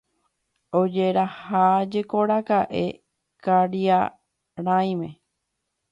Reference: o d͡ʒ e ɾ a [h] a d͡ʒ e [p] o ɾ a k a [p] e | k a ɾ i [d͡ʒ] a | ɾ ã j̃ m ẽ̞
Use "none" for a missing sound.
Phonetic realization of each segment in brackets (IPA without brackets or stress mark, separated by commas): h, k, ʔ, none